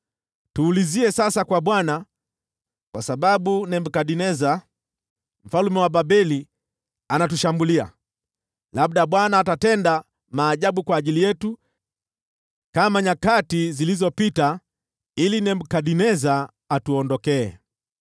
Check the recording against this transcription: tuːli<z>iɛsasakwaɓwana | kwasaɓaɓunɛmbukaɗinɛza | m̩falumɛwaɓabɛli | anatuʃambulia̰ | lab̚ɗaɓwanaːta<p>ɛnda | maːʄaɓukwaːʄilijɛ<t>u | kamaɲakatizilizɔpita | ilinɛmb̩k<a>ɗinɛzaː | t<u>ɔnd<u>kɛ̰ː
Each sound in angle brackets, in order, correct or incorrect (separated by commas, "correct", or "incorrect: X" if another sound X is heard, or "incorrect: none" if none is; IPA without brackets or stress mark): correct, incorrect: t, correct, correct, correct, incorrect: ɔ